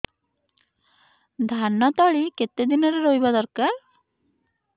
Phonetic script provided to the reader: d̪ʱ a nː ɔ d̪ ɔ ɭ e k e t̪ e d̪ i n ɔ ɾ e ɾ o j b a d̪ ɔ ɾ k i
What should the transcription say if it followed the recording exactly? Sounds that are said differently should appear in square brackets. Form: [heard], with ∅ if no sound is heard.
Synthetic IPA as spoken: d̪ʱ a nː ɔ [t̪] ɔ ɭ [i] k e t̪ e d̪ i n ɔ ɾ e ɾ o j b a d̪ ɔ ɾ k [a]

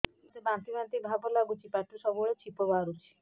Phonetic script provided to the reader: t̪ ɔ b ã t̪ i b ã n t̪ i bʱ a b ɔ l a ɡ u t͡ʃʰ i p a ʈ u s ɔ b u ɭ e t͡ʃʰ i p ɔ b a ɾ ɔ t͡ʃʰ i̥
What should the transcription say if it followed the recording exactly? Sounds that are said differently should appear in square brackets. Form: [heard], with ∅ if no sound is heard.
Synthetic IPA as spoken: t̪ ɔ b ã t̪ i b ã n t̪ i bʱ a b ɔ l a ɡ u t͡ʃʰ i p a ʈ u s ɔ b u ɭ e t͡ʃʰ i p ɔ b a ɾ [u] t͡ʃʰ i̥

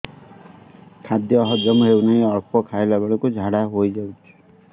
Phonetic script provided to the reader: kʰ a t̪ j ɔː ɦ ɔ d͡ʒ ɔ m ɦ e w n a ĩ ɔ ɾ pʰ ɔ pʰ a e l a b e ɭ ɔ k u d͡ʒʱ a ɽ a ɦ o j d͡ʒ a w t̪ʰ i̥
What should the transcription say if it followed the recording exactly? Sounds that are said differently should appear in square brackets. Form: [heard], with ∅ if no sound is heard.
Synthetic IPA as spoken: kʰ a [d̪] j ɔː ɦ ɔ d͡ʒ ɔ m ɦ e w n a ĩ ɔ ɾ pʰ ɔ [kʰ] a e l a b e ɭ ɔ k u d͡ʒʱ a ɽ a ɦ o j d͡ʒ a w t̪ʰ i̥

